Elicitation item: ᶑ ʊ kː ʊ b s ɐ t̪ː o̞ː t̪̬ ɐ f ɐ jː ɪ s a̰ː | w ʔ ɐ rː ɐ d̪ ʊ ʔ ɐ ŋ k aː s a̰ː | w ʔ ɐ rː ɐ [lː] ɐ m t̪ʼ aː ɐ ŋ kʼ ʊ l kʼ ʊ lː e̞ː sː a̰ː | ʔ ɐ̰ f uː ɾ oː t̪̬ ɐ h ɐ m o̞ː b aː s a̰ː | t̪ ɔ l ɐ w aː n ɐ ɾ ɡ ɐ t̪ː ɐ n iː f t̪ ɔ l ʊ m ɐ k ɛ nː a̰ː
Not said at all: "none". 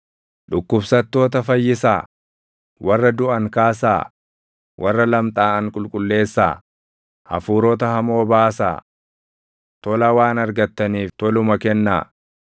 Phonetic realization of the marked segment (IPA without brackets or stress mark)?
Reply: l